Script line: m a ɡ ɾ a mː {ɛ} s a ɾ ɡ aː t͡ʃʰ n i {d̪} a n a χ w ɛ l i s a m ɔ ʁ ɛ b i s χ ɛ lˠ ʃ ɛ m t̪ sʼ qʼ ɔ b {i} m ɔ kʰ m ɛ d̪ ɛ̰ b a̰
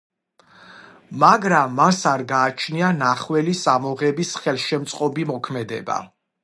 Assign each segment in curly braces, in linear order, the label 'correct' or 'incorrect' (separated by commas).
incorrect, incorrect, correct